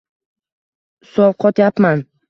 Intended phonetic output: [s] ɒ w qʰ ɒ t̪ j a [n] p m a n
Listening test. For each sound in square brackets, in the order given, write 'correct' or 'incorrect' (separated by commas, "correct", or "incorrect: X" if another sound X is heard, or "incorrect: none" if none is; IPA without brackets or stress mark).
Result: correct, incorrect: none